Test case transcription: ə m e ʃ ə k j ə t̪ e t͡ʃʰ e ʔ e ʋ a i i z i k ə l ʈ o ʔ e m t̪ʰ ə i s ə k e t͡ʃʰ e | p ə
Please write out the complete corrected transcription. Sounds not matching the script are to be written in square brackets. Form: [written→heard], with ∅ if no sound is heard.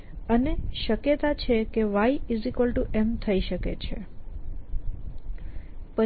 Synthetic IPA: ə [m→n] e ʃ ə k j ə t̪ [e→a] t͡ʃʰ e [ʔ→k] e ʋ a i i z i k ə l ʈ [o→u] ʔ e m t̪ʰ ə i [s→ʃ] ə k e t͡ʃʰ e | p ə

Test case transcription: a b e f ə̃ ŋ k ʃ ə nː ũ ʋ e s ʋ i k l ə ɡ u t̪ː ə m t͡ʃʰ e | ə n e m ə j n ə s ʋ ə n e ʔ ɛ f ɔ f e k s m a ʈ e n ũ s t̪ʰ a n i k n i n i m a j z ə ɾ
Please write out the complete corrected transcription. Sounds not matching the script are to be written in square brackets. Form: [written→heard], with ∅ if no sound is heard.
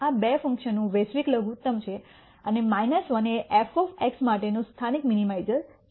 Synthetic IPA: a b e f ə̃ ŋ k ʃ ə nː ũ ʋ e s ʋ i k l ə ɡ u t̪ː ə m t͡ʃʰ e | ə n e m [ə→a] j n ə s ʋ ə n e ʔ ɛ f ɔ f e k s m a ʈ e n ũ s t̪ʰ a n i k [n→m] i n i m a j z ə ɾ

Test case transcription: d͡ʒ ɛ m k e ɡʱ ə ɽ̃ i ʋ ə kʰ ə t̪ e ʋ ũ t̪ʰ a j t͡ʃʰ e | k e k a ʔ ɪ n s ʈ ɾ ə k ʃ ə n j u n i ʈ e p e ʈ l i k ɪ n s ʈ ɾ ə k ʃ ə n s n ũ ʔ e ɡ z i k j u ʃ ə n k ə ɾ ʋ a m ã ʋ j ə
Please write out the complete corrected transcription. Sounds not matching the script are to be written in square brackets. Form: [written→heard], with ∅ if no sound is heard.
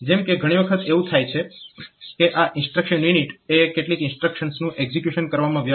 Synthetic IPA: d͡ʒ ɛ m k e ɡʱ ə ɽ̃ i ʋ ə kʰ ə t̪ e ʋ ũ t̪ʰ a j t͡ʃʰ e | k e [k→ʔ] a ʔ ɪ n s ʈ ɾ ə k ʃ ə n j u n i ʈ e [p→k] e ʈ l i k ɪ n s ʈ ɾ ə k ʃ ə n s n ũ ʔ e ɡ z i k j u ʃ ə n k ə ɾ ʋ a m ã ʋ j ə

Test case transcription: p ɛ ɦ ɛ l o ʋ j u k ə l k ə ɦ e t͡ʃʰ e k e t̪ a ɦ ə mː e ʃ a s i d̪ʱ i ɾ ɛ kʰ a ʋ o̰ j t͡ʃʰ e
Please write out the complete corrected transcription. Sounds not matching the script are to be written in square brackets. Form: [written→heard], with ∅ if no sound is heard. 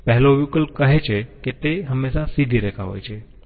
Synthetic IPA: p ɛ ɦ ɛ l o ʋ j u k ə l k ə ɦ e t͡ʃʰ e k e t̪ [a→e] ɦ ə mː e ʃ a s i d̪ʱ i ɾ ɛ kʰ a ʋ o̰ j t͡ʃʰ e

